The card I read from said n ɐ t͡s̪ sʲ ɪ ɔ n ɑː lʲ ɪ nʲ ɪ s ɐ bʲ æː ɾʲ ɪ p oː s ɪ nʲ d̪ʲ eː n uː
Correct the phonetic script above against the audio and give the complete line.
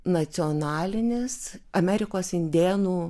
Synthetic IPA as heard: n ɐ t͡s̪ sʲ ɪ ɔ n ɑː lʲ ɪ nʲ ɪ s ɐ mʲ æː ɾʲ ɪ k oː s ɪ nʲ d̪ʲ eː n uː

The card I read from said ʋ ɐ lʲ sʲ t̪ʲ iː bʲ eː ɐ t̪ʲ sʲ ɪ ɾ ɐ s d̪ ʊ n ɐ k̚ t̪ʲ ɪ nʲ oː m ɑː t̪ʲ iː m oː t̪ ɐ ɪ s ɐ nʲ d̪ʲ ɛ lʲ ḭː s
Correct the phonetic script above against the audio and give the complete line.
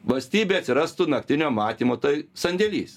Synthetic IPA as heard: ʋ ɐ lʲ sʲ t̪ʲ iː bʲ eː ɐ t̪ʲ sʲ ɪ ɾ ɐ s t̪ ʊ n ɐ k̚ t̪ʲ ɪ nʲ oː m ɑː t̪ʲ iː m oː t̪ ɐ ɪ s ɐ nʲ d̪ʲ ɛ lʲ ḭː s

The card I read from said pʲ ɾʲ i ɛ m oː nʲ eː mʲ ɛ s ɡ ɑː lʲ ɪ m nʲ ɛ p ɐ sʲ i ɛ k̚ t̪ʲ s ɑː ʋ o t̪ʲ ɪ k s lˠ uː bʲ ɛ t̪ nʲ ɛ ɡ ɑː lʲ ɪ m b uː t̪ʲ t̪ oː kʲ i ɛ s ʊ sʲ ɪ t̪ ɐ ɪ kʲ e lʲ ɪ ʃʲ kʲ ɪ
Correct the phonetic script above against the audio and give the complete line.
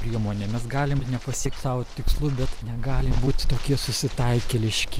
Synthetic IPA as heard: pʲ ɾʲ i ɛ m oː nʲ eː mʲ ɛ s ɡ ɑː lʲ ɪ m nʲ ɛ p ɐ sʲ i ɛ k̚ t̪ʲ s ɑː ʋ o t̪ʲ ɪ k s lˠ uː bʲ ɛ t̪ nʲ ɛ ɡ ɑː lʲ ɪ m b uː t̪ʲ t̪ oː kʲ i ɛ s ʊ sʲ ɪ t̪ ɐ ɪ kʲ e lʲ ɪ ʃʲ kʲ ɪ

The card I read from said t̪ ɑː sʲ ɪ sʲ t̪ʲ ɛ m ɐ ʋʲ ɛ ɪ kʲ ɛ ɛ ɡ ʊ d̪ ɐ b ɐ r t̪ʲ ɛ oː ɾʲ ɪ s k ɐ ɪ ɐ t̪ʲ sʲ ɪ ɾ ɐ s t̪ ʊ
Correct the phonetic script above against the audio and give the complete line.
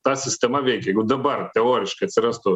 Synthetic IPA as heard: t̪ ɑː sʲ ɪ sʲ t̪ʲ ɛ m ɐ ʋʲ ɛ ɪ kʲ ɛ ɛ ɡ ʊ d̪ ɐ b ɐ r t̪ʲ ɛ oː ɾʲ ɪ ʃ k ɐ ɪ ɐ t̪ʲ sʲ ɪ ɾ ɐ s t̪ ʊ

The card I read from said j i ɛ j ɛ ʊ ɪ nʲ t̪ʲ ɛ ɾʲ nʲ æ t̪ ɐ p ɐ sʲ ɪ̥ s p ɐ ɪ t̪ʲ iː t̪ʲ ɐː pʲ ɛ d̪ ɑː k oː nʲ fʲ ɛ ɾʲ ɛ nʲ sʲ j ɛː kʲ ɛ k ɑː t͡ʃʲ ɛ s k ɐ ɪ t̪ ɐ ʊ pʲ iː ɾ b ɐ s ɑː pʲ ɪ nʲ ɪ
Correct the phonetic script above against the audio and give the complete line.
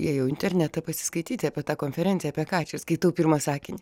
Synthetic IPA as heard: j i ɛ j ɛ ʊ ɪ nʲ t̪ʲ ɛ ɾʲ nʲ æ t̪ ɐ p ɐ sʲ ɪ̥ s k ɐ ɪ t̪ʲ iː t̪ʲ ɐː pʲ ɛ t̪ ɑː k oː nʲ fʲ ɛ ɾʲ ɛ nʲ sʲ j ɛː pʲ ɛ k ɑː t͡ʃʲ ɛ s k ɐ ɪ t̪ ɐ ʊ pʲ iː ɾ m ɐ s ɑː kʲ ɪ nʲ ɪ

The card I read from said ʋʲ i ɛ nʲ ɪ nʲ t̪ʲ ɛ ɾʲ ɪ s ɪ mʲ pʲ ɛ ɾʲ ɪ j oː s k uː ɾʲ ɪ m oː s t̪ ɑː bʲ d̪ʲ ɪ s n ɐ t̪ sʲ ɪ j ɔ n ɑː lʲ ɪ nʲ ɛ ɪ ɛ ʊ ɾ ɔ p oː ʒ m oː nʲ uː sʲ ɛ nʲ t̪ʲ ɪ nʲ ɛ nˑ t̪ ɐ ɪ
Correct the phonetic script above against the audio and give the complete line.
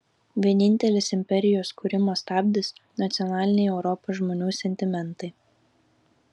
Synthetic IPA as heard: ʋʲ i ɛ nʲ ɪ nʲ t̪ʲ ɛ lʲ ɪ s ɪ mʲ pʲ ɛ ɾʲ ɪ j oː s k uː ɾʲ ɪ m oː s t̪ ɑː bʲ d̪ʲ ɪ s n ɐ t̪ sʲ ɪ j ɔ n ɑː lʲ ɪ nʲ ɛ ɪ ɛ ʊ ɾ ɔ p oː ʒ m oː nʲ uː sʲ ɛ nʲ t̪ʲ ɪ mʲ ɛ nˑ t̪ ɐ ɪ

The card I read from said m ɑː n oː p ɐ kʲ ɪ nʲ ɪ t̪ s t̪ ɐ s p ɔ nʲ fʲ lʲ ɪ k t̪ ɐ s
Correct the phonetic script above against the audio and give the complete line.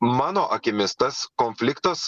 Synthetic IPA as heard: m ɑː n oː ʔ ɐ kʲ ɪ mʲ ɪ s t̪ ɐ s k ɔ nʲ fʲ lʲ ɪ k t̪ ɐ s

